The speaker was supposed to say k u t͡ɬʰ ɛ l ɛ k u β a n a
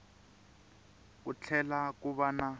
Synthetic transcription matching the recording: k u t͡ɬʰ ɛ l a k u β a n a